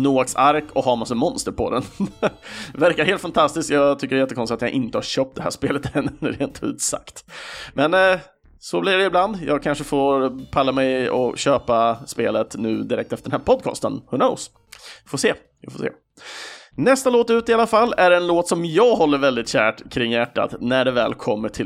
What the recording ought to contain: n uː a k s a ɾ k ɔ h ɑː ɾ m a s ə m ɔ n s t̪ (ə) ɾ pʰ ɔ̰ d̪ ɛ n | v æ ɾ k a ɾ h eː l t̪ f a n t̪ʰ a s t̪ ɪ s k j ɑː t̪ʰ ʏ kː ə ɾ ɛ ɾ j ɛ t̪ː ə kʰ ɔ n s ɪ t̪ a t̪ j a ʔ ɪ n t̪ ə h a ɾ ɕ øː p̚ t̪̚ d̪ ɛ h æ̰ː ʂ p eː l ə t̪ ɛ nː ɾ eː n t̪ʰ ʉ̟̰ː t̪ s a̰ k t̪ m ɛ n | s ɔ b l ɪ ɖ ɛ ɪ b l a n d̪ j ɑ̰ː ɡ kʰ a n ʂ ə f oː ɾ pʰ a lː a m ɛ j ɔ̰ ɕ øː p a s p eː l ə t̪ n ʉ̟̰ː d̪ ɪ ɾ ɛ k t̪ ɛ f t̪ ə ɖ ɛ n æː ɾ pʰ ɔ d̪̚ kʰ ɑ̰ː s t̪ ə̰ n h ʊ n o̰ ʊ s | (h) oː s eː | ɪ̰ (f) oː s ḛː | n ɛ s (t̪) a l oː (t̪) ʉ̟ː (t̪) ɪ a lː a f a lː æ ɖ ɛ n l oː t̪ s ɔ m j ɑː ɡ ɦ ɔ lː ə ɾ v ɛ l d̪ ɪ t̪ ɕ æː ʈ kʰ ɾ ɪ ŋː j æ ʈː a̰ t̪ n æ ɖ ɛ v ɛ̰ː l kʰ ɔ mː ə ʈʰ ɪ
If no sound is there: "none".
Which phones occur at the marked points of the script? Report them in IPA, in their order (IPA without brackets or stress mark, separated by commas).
ə, f, f, t̪, t̪, t̪